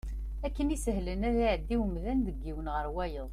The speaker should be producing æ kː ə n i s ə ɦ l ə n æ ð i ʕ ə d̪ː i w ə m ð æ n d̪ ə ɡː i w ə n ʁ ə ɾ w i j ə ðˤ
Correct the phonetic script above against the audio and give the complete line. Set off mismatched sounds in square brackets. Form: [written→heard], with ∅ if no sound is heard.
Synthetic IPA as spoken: æ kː ə n i s ə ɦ l ə n æ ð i ʕ ə d̪ː i w ə m ð æ n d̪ ə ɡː i w ə n ʁ ə ɾ w [i→æ] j ə ðˤ